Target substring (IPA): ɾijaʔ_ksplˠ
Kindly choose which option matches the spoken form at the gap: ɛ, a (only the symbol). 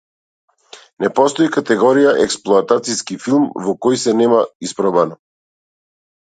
ɛ